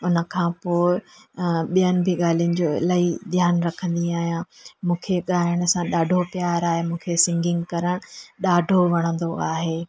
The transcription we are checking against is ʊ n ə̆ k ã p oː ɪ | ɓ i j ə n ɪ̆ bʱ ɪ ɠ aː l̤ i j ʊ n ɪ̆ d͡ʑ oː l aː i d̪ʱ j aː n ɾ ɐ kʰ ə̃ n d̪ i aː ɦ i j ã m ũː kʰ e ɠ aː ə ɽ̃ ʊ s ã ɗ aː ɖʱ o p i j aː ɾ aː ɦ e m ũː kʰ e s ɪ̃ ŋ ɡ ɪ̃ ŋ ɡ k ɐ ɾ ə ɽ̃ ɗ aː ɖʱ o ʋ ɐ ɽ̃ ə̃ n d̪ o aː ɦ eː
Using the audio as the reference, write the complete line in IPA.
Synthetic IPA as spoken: ʊ n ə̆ kʰ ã p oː ɪ | ɓ i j ə n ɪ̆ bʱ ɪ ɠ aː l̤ i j ʊ n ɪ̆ d͡ʑ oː l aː i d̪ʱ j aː n ɾ ɐ kʰ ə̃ n d̪ i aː ɦ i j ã m ũː kʰ e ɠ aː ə ɽ̃ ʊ s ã ɗ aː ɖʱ o p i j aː ɾ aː ɦ e m ũː kʰ e s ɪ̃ ŋ ɡ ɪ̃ ŋ ɡ k ɐ ɾ ə ɽ̃ ɗ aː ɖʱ o ʋ ɐ ɽ̃ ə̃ n d̪ o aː ɦ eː